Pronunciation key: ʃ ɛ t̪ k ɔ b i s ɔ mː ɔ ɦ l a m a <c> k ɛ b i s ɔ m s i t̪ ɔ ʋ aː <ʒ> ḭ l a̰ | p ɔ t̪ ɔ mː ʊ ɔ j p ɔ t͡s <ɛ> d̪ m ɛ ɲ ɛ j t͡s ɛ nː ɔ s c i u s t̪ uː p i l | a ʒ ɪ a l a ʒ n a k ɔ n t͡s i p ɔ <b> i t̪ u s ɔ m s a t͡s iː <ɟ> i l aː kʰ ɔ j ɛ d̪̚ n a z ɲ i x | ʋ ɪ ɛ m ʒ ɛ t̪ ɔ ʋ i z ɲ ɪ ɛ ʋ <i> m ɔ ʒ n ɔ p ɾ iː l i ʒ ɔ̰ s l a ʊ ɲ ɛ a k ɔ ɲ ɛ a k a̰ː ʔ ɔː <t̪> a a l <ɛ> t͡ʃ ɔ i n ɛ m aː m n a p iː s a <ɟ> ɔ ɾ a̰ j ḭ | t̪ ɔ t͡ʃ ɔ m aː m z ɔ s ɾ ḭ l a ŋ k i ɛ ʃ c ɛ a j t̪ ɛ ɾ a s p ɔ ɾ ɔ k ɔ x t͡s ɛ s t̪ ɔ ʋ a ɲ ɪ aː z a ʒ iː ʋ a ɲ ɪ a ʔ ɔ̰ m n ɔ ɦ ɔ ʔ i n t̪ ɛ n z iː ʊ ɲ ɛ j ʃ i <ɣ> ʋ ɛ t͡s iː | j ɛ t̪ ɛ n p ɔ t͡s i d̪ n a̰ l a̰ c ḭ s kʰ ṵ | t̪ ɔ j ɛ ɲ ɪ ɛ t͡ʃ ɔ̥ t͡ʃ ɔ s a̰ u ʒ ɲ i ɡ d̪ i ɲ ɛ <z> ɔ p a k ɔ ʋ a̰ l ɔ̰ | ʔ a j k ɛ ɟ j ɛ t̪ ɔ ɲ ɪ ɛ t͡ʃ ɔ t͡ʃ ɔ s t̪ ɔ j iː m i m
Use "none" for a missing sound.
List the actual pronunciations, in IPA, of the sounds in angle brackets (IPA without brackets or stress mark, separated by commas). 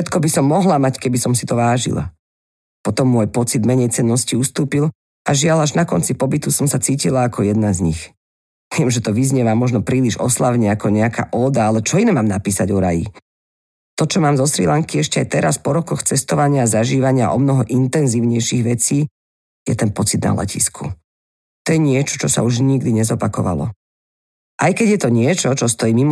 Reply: c, ʒ, i, b, c, a, d̪, ɛ, ɟ, ɣ, z